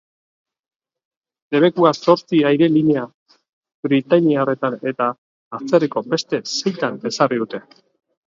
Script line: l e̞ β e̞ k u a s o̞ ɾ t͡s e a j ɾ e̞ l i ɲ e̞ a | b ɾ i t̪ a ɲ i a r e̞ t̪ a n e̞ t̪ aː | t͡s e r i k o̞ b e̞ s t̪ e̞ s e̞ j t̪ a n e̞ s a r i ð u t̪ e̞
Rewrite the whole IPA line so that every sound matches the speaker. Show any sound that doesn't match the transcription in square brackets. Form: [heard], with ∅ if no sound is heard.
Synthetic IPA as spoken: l e̞ β e̞ k u a s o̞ ɾ t͡s [i] a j ɾ e̞ l i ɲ e̞ a | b ɾ i t̪ a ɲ i a r e̞ t̪ a n e̞ t̪ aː | t͡s e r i k o̞ b e̞ s t̪ e̞ s e̞ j t̪ a n e̞ s a r i ð u t̪ e̞

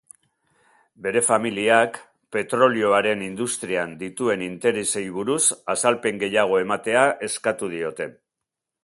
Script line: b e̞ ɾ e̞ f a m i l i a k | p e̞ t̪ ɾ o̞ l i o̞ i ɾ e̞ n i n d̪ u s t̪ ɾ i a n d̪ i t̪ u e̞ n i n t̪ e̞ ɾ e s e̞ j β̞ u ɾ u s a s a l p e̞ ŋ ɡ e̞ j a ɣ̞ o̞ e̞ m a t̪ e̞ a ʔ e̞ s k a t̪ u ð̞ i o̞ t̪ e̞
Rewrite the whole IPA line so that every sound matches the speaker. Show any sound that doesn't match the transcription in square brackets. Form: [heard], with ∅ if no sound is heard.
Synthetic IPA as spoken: b e̞ ɾ e̞ f a m i l i a k | p e̞ t̪ ɾ o̞ l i o̞ [a] ɾ e̞ n i n d̪ u s t̪ ɾ i a n d̪ i t̪ u e̞ n i n t̪ e̞ ɾ e s e̞ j β̞ u ɾ u s a s a l p e̞ ŋ ɡ e̞ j a ɣ̞ o̞ e̞ m a t̪ e̞ a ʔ e̞ s k a t̪ u ð̞ i o̞ t̪ e̞

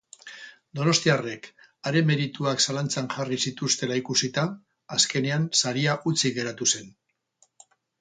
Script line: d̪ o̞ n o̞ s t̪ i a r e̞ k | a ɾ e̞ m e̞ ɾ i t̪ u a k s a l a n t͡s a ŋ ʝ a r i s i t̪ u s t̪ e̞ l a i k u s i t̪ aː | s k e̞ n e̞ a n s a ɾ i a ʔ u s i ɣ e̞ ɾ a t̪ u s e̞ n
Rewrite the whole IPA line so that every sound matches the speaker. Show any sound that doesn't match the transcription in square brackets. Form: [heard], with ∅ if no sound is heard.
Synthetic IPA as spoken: d̪ o̞ n o̞ s t̪ i a r e̞ k | a ɾ e̞ m e̞ ɾ i t̪ u a k s a l a n t͡s a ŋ ʝ a r i s i t̪ u s t̪ e̞ l a i k u s i t̪ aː | s k e̞ n e̞ a n s a ɾ i a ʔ u [t͡s] i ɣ e̞ ɾ a t̪ u s e̞ n

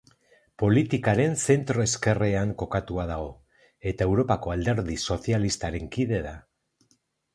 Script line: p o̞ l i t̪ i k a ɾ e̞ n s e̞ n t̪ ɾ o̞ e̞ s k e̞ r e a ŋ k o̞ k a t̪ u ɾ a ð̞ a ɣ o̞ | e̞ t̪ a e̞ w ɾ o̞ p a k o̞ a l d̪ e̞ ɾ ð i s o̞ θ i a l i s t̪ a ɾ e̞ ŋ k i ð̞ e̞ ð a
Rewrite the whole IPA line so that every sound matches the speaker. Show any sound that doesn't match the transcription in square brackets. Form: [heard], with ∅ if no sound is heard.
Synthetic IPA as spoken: p o̞ l i t̪ i k a ɾ e̞ n s e̞ n t̪ ɾ o̞ e̞ s k e̞ r e a ŋ k o̞ k a t̪ u [∅] a ð̞ a ɣ o̞ | e̞ t̪ a e̞ w ɾ o̞ p a k o̞ a l d̪ e̞ ɾ ð i s o̞ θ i a l i s t̪ a ɾ e̞ ŋ k i ð̞ e̞ ð a

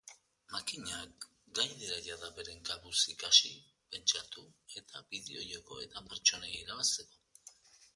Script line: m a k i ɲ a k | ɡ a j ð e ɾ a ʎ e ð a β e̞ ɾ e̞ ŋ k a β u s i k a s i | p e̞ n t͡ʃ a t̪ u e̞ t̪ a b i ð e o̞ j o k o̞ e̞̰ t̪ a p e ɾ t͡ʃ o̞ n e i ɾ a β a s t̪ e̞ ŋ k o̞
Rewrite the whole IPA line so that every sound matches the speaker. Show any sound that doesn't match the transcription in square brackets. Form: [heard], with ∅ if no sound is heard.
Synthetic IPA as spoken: m a k i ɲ a k | ɡ a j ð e ɾ a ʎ [a] ð a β e̞ ɾ e̞ ŋ [ɡ] a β u s i k a s i | p e̞ n t͡ʃ a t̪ u e̞ t̪ a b i ð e o̞ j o k o̞ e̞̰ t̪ a p e ɾ t͡ʃ o̞ n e i ɾ a β a s t̪ e̞ [∅] k o̞

